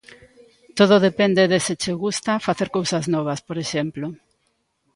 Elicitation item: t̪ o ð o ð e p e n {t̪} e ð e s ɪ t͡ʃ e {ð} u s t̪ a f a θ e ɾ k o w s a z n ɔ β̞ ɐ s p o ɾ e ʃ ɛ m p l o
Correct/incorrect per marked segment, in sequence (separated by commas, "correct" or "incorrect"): incorrect, incorrect